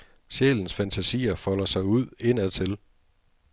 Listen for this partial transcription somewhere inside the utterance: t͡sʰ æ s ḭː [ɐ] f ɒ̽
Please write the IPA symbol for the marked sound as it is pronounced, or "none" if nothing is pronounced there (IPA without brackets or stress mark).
ɐ